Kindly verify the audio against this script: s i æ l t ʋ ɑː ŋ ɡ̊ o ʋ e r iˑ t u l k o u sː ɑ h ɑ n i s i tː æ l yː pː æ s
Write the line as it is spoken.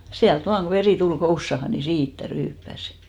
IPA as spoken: s i æ l t ʋ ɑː ŋ ɡ̊ o ʋ e r iˑ t u l k o u sː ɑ h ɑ n i s iː tː æ r yː pː æ s